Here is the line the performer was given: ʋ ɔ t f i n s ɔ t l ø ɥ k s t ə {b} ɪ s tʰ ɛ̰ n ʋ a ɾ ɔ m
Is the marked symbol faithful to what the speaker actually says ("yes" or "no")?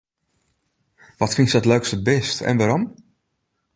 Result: yes